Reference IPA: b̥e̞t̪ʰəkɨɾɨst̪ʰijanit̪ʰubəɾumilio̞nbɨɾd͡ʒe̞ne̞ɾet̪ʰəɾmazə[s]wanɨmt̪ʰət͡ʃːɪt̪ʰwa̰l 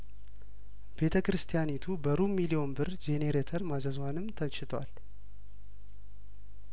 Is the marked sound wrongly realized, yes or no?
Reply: yes